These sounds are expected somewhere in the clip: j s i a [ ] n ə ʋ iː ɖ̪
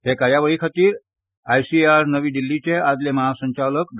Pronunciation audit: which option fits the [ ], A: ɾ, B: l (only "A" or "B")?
A